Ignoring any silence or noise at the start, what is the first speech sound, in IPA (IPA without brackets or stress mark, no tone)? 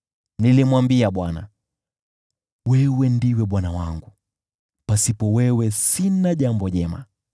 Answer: n